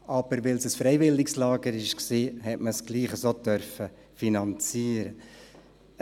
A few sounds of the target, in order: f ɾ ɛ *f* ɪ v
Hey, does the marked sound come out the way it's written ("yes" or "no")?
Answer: no